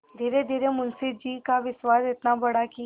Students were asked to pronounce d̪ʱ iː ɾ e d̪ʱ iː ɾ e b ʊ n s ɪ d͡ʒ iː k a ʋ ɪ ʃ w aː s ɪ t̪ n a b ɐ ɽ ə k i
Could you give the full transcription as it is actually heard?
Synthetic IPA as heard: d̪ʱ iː ɾ e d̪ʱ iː ɾ e m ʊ n s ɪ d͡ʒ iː k a ʋ ɪ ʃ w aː s ɪ t̪ n a b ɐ ɽ a k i